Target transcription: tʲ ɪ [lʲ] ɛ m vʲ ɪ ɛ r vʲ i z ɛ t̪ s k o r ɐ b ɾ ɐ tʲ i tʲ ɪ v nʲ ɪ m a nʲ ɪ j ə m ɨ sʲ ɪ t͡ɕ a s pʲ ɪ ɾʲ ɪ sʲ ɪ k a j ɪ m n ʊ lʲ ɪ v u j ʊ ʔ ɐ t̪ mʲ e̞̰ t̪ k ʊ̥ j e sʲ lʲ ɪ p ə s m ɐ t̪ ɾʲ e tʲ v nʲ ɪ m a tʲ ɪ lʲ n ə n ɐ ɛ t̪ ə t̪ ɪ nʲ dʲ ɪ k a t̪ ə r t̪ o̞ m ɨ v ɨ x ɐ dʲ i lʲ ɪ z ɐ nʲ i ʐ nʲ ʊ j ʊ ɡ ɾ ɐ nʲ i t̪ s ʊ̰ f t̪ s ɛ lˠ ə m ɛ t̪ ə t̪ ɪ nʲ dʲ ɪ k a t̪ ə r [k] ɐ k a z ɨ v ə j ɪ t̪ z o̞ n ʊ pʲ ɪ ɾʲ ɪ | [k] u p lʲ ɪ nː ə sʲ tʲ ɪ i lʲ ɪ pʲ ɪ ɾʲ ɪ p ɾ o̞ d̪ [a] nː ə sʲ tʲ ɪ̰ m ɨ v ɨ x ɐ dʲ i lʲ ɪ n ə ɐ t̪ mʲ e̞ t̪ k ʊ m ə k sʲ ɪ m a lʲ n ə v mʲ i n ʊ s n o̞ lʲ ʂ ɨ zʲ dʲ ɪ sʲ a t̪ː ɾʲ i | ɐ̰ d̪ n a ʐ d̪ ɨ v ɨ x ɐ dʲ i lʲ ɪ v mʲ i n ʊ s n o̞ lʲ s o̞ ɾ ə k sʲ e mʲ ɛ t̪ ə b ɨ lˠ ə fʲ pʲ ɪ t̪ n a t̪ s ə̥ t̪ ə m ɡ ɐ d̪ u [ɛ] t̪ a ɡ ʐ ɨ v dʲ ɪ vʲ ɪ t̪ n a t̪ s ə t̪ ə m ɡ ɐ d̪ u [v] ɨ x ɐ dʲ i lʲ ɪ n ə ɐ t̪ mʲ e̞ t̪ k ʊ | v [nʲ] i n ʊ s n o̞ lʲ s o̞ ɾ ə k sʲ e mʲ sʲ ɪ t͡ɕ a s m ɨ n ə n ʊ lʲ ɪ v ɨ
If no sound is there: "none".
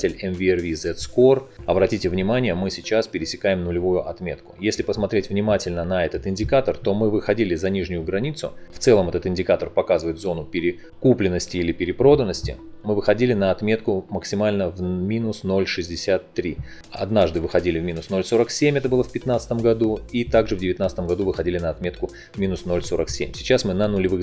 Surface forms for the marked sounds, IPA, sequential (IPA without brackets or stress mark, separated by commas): lʲ, p, k, ə, i, v, mʲ